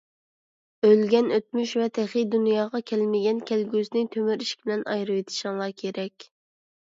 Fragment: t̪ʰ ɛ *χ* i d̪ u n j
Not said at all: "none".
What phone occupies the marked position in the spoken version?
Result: χ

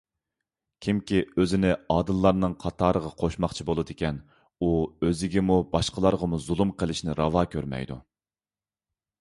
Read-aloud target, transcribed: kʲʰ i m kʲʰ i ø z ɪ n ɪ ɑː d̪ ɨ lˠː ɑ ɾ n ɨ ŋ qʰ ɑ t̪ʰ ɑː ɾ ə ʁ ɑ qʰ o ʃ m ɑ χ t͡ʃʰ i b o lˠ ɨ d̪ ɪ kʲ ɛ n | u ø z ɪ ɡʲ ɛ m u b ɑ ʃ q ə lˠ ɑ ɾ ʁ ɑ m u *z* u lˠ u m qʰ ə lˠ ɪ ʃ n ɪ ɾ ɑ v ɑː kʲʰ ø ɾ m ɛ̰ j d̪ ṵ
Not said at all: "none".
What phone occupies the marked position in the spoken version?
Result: z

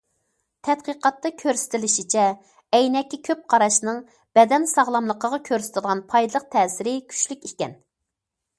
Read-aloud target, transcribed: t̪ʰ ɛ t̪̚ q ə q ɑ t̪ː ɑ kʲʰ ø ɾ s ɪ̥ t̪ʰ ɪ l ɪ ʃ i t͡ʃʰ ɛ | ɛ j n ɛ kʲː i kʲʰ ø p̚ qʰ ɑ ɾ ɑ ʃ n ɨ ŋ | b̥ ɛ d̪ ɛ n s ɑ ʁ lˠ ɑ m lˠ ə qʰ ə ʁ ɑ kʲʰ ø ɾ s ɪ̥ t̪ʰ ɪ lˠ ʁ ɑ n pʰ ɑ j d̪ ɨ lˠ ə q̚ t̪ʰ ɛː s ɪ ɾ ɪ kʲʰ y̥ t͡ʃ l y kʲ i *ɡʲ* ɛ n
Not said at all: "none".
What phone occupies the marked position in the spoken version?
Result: kʲ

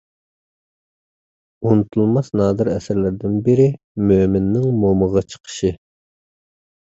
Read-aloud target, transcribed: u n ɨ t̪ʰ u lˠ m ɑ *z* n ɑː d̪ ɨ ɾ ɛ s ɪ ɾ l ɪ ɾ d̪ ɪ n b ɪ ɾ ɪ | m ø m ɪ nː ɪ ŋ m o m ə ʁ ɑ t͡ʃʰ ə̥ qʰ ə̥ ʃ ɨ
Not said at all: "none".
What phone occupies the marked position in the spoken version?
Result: s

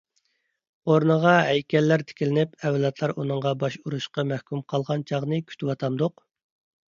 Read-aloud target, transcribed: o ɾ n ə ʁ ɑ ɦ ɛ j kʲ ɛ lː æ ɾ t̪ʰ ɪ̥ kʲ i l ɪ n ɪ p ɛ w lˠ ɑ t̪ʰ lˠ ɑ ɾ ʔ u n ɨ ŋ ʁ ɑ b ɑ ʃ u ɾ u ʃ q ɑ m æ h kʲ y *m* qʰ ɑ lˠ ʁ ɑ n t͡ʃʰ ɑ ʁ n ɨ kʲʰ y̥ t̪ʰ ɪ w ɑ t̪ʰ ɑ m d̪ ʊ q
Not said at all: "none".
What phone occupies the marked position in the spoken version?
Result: m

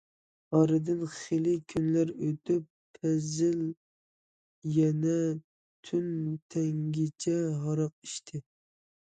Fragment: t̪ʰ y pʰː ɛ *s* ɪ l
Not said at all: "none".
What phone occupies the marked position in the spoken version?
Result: z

